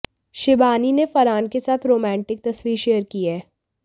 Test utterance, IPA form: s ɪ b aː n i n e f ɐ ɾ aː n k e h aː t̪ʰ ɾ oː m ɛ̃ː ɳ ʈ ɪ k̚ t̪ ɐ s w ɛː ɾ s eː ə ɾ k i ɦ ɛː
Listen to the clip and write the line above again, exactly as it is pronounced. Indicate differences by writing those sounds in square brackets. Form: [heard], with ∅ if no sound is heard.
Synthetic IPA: [ʃ] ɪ b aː n i n e f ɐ ɾ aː n k e [s] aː t̪ʰ ɾ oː m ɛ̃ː ɳ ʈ ɪ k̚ t̪ ɐ s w [iː] ɾ [ʃ] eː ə ɾ k i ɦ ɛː